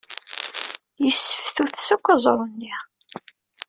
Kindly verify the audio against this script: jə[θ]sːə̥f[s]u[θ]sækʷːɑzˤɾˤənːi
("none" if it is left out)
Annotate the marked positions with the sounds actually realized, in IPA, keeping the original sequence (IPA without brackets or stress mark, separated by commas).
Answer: none, θ, θ